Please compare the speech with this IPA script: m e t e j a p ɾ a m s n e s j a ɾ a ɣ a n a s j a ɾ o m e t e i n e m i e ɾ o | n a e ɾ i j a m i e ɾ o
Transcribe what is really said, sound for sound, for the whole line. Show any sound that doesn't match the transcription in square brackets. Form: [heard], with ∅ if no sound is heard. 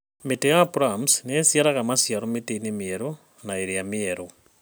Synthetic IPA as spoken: m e t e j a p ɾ a m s n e s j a ɾ a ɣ a [m] a s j a ɾ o m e t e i n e m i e ɾ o | n a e ɾ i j a m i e ɾ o